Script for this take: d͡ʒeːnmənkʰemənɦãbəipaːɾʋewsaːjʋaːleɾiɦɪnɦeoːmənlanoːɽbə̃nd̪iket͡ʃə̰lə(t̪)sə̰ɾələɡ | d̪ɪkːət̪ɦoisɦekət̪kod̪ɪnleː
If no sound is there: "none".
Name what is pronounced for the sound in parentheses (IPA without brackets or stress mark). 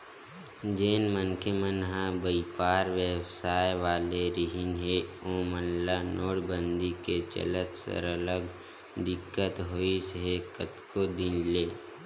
t̪